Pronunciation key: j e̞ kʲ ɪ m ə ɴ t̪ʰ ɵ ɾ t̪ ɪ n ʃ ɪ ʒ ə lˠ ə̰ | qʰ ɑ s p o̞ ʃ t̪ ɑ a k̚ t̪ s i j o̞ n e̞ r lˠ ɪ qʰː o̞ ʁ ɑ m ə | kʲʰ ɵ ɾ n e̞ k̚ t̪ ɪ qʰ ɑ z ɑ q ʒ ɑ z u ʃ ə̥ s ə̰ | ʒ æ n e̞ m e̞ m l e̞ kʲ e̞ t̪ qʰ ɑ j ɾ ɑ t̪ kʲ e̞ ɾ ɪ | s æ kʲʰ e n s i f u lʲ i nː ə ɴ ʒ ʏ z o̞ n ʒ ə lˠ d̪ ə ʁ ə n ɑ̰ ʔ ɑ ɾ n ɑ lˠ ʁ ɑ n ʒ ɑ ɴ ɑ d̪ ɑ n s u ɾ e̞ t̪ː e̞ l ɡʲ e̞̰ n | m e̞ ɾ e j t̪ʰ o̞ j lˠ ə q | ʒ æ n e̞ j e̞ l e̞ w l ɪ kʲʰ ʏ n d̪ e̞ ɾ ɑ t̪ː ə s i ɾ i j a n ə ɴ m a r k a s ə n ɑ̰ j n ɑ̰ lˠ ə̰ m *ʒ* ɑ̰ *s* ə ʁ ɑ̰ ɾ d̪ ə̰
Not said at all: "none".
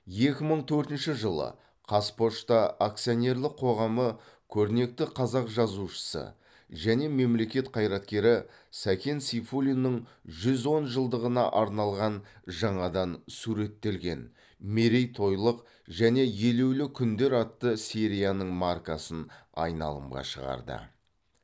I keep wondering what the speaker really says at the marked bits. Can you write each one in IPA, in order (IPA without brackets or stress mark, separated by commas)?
ʁ, ʃ